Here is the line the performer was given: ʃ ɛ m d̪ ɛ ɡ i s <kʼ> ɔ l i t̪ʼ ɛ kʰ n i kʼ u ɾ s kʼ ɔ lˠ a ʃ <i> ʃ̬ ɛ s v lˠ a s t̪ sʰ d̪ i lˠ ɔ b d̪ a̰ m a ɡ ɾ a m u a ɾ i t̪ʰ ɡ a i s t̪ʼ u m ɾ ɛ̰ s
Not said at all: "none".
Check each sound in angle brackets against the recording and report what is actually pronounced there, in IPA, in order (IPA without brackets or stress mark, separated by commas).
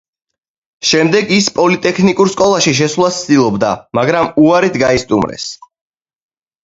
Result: pʼ, i